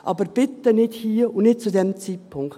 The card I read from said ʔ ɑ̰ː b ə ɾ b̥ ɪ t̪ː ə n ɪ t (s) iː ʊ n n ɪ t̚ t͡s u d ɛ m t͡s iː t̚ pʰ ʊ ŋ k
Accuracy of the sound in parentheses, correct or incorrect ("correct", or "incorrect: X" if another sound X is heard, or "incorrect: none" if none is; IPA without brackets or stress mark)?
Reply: incorrect: h